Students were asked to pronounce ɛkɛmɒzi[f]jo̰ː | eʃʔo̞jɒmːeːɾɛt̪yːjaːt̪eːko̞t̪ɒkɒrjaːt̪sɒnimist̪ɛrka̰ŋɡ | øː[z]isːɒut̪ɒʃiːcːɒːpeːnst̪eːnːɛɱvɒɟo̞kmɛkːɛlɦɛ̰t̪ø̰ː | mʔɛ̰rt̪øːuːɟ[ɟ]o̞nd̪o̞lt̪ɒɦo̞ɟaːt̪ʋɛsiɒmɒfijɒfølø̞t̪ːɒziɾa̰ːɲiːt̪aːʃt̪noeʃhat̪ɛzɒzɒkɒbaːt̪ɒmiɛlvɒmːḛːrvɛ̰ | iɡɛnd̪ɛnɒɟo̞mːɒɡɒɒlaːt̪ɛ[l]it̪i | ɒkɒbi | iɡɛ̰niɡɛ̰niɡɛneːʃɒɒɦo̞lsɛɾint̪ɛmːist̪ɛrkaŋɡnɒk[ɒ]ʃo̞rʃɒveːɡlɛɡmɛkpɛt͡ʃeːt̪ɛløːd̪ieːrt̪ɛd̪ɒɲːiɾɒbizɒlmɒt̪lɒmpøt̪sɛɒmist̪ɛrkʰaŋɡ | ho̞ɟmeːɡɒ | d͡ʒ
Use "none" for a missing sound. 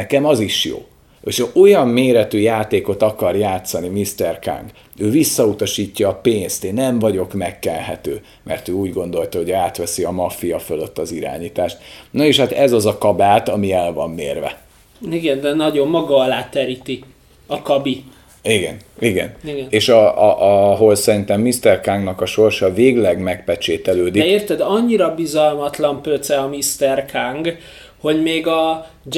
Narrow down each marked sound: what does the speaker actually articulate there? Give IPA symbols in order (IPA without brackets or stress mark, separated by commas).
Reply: ʃ, v, ɡ, ɾ, ɒ